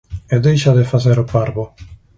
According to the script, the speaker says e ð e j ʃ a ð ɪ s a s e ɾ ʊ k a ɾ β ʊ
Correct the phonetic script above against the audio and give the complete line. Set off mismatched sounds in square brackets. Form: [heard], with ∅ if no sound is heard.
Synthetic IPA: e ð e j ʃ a ð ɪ [f] a [θ] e ɾ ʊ [p] a ɾ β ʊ